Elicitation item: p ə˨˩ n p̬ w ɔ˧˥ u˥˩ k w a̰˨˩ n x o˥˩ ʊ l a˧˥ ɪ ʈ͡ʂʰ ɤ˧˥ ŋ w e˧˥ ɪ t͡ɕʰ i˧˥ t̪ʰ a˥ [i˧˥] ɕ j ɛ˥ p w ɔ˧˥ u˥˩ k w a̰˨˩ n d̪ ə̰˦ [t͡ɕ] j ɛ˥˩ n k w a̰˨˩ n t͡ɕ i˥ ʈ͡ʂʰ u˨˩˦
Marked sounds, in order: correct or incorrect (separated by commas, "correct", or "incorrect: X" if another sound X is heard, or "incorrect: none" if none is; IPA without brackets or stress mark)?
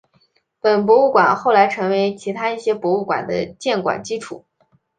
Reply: incorrect: i˥˩, correct